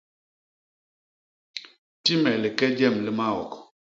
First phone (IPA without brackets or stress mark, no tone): t